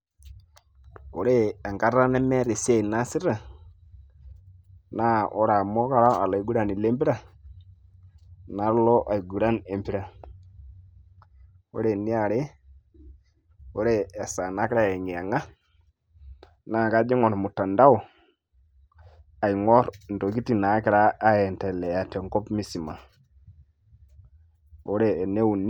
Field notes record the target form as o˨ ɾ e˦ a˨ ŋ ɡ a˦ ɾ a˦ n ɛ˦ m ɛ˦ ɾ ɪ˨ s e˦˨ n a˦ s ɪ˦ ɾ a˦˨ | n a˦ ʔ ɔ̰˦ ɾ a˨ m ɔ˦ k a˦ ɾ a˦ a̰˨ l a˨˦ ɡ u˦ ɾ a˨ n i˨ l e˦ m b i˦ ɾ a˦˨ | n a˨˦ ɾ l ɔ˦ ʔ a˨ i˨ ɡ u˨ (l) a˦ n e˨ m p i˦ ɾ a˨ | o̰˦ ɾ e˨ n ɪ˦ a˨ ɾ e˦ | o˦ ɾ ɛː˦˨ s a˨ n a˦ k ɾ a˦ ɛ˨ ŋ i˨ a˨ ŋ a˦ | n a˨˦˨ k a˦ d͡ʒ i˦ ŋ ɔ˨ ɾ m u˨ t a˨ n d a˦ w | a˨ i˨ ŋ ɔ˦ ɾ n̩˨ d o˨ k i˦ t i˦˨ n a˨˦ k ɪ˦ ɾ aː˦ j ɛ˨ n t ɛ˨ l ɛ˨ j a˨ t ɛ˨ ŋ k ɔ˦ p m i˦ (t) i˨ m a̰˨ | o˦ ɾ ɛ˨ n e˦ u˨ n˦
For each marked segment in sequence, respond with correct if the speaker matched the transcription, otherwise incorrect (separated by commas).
incorrect, incorrect